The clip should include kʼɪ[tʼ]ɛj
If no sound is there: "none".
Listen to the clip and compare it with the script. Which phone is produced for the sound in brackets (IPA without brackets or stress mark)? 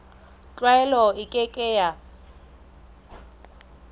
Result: kʼ